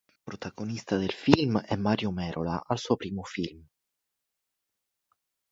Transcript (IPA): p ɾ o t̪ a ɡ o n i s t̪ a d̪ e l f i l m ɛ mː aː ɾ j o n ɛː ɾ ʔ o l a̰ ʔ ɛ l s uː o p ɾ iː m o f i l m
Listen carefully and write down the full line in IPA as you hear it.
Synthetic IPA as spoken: p ɾ o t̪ a ɡ o n i s t̪ a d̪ e l f i l m ɛ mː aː ɾ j o m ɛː ɾ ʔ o l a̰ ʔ a l s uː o p ɾ iː m o f i l m